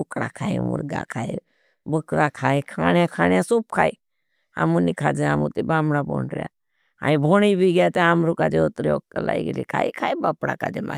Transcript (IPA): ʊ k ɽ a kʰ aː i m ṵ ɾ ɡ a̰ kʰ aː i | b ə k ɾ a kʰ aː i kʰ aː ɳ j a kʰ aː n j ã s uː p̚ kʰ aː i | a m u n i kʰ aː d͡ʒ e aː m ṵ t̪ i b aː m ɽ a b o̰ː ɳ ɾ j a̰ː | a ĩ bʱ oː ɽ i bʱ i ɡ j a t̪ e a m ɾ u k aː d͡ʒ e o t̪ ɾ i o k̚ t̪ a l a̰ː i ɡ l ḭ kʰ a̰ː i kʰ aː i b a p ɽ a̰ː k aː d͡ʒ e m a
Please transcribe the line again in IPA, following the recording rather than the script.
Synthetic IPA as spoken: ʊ k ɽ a kʰ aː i m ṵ ɾ ɡ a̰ kʰ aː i | b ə k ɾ a kʰ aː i kʰ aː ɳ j a kʰ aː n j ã s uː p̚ kʰ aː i | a m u n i kʰ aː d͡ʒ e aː m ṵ t̪ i b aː m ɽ a b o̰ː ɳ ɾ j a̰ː | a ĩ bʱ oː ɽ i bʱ i ɡ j a t̪ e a m ɾ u k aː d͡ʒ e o t̪ ɾ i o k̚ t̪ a l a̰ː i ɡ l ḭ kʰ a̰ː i kʰ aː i b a p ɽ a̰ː k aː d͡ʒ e m a